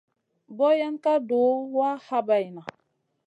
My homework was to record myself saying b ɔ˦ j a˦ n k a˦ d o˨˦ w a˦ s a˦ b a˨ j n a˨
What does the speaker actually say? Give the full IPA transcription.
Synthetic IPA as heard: b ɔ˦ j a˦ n k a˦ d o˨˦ w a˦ h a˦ b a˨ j n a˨